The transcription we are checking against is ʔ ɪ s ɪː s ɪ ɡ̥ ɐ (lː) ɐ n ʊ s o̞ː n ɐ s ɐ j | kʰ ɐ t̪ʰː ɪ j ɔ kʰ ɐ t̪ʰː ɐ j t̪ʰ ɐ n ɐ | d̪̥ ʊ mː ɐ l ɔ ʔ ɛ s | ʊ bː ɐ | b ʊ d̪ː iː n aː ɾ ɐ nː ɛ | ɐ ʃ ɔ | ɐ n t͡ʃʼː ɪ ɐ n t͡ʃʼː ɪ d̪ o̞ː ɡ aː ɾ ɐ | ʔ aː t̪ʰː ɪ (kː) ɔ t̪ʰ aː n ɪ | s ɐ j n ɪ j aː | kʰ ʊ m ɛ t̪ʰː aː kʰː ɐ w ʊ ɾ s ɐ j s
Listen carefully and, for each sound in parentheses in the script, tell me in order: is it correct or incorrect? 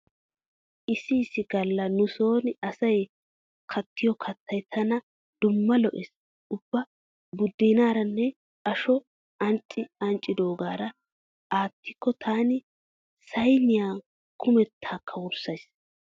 correct, correct

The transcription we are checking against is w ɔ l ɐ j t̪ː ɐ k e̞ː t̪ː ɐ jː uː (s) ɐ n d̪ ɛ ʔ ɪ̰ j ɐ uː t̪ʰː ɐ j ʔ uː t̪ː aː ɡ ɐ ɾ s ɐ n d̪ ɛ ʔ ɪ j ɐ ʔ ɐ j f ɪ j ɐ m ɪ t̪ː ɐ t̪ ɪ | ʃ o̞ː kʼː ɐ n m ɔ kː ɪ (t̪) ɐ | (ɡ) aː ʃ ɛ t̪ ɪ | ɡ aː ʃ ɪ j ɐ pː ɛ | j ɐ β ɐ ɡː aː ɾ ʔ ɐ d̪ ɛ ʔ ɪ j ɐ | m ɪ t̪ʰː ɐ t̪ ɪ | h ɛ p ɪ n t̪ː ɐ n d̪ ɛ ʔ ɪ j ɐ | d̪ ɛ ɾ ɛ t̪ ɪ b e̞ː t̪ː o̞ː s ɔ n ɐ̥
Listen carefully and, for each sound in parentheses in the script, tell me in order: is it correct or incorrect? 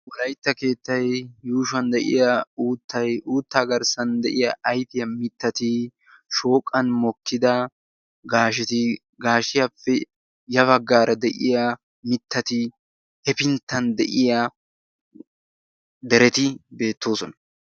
incorrect: ʃ, incorrect: d̪, correct

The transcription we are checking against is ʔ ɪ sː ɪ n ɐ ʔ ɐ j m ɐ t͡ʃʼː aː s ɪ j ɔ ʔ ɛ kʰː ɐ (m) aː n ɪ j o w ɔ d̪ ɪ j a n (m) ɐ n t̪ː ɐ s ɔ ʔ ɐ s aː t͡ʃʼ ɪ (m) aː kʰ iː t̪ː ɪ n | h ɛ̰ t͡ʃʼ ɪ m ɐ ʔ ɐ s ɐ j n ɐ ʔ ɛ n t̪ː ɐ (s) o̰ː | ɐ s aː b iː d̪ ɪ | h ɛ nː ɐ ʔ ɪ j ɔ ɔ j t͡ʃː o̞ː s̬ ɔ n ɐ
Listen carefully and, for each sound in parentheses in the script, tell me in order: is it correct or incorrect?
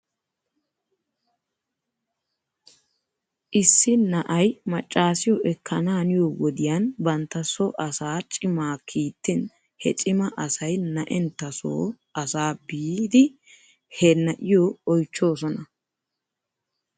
incorrect: n, incorrect: b, correct, correct

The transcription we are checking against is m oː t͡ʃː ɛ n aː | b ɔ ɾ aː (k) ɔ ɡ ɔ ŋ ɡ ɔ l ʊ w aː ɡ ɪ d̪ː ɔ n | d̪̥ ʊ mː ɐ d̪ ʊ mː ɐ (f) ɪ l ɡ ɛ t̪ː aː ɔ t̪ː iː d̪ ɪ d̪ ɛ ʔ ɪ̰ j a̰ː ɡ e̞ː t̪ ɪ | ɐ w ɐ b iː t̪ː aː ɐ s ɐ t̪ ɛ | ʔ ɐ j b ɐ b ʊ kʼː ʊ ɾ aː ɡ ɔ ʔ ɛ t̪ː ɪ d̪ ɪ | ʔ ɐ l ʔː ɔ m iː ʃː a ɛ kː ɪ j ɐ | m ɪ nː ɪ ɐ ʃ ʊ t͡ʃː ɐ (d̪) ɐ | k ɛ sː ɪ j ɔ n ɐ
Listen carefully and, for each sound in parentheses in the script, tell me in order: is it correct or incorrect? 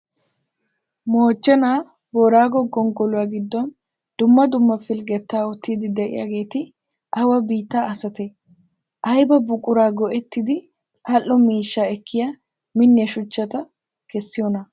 incorrect: ɡ, correct, incorrect: t̪

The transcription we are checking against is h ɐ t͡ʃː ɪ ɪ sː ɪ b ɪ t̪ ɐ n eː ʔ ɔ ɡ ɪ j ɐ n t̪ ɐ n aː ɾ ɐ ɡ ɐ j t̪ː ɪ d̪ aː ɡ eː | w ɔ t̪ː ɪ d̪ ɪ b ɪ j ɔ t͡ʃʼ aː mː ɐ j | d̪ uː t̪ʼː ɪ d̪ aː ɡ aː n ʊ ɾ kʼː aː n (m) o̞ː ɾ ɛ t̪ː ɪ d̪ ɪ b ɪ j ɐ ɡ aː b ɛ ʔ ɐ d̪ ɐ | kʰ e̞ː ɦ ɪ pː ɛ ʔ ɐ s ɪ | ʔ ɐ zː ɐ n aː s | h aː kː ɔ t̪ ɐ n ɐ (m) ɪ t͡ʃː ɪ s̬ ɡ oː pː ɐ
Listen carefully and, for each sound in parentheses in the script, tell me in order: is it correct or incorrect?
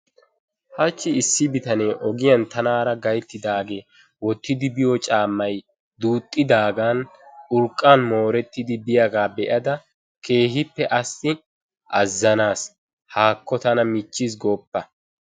correct, correct

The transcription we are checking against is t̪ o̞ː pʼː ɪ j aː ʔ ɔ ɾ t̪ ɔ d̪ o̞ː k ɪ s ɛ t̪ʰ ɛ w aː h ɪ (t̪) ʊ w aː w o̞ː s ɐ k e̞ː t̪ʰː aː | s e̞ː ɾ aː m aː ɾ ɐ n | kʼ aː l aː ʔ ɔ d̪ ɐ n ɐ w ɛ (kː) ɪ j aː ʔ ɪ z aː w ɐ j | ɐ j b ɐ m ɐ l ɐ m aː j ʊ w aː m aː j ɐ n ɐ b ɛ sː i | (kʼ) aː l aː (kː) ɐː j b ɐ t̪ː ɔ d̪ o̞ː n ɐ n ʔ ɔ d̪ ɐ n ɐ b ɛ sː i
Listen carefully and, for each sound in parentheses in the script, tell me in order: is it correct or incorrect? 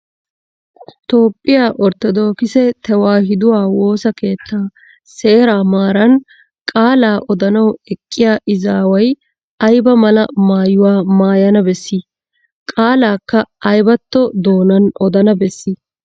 incorrect: d̪, incorrect: kʼː, correct, correct

